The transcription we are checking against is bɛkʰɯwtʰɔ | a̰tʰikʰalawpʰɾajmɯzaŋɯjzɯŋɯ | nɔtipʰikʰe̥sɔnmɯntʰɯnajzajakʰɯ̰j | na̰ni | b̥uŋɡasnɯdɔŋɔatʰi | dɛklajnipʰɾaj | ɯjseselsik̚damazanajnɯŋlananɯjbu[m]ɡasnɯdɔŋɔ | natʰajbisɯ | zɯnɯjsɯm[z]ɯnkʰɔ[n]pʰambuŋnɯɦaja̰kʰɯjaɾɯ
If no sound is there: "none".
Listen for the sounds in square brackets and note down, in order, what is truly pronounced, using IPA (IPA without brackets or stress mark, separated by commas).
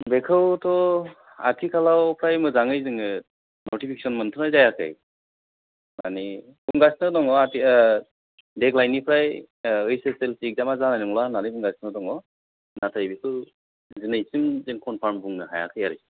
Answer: ŋ, z, n